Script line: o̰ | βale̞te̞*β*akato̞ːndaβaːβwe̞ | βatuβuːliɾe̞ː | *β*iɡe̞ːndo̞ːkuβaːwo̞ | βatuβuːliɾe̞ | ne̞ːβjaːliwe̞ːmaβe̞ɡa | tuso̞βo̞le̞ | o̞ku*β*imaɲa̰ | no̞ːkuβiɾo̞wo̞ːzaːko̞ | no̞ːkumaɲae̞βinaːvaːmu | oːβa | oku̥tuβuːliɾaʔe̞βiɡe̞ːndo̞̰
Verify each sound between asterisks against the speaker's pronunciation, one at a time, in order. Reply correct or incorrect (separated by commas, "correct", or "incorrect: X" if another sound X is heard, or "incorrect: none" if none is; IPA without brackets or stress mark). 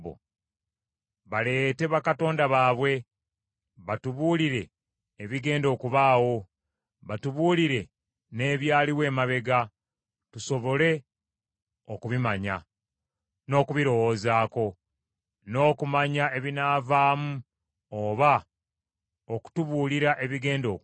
correct, correct, correct